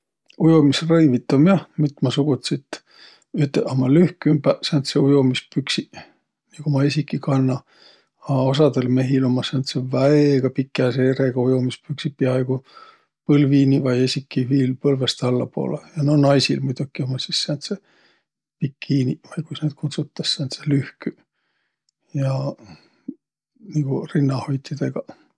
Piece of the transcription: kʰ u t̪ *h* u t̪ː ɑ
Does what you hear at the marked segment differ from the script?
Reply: yes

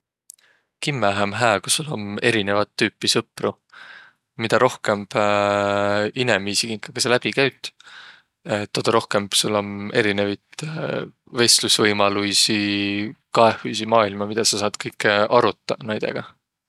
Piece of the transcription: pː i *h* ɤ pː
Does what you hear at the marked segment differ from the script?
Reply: yes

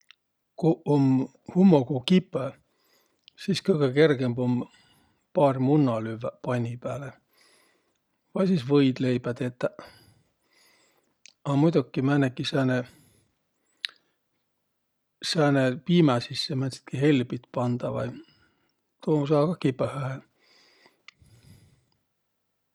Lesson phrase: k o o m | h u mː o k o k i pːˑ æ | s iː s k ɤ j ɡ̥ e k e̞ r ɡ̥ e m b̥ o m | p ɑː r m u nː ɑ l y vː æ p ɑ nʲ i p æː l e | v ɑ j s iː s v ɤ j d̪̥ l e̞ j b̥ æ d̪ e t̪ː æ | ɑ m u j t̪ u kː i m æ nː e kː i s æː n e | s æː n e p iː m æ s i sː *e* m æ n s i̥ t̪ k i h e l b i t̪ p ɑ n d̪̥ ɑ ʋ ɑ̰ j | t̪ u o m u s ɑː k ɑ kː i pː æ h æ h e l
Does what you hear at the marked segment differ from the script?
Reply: no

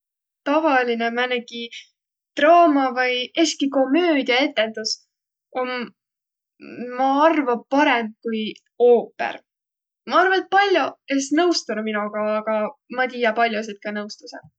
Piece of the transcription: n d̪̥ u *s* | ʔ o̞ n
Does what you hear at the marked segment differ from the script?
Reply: no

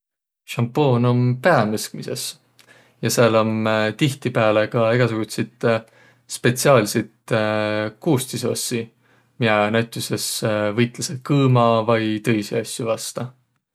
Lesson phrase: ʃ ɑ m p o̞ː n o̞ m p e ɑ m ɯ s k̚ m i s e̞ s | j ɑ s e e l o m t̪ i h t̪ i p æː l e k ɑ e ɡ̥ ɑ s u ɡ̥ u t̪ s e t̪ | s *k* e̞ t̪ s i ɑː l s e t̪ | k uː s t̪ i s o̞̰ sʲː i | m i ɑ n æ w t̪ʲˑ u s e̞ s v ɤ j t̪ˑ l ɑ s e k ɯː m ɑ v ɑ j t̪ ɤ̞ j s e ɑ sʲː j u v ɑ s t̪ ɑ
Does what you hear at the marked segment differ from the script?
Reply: yes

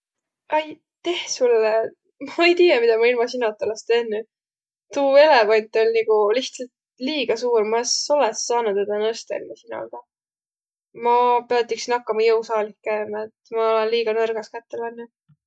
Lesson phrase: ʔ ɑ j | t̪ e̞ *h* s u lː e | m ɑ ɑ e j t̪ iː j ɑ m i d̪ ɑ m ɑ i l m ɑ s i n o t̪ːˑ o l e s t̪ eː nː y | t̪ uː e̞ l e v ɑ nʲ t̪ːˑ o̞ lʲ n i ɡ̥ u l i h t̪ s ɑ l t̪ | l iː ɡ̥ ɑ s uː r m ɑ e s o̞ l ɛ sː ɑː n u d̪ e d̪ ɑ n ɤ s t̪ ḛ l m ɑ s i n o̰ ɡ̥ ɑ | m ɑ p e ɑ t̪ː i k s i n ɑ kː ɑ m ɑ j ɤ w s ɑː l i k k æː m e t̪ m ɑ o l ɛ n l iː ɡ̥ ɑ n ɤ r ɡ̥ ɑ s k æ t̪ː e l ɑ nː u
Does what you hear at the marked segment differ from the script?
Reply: no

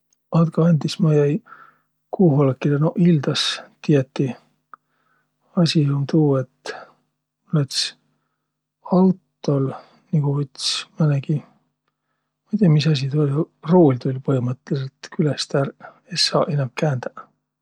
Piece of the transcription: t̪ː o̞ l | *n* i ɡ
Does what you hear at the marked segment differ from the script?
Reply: no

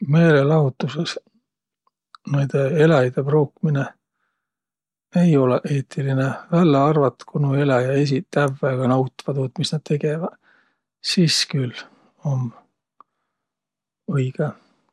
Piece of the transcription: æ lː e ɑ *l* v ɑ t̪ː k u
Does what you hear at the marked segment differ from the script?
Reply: yes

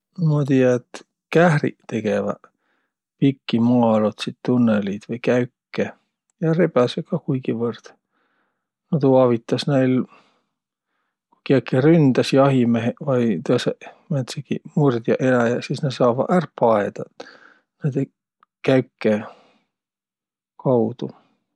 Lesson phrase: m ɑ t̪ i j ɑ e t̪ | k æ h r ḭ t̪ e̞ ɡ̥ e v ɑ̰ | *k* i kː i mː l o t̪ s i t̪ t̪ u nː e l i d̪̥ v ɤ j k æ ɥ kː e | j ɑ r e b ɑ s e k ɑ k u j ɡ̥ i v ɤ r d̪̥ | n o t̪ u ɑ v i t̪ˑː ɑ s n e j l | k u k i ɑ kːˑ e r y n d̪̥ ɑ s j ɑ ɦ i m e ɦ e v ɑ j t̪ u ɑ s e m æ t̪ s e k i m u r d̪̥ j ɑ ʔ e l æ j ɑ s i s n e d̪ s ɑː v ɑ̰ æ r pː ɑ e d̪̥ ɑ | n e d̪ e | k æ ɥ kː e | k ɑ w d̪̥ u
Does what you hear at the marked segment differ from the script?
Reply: yes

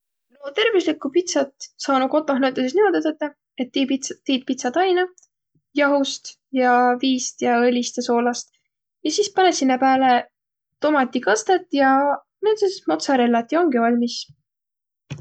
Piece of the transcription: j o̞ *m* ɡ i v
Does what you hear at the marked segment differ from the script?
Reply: yes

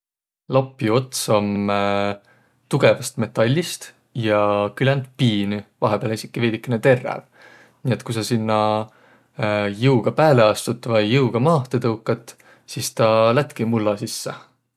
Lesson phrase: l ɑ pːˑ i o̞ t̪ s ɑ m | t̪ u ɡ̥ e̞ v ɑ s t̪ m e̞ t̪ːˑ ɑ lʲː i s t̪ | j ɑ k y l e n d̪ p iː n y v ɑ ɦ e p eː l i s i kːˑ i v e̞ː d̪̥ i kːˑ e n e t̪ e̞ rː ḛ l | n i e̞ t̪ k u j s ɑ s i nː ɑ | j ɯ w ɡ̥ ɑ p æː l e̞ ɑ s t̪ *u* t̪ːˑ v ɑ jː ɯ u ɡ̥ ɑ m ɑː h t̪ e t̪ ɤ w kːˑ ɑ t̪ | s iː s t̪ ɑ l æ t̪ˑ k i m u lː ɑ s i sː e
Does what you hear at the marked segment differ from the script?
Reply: no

